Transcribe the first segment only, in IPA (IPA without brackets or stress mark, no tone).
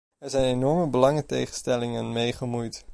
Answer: ɛ